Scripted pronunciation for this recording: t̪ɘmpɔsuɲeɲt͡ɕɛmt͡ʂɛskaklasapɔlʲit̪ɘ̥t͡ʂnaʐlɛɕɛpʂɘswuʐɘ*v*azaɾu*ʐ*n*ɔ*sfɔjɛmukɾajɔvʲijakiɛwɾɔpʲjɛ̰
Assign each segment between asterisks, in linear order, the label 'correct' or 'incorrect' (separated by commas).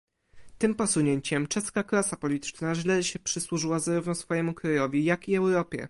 incorrect, incorrect, correct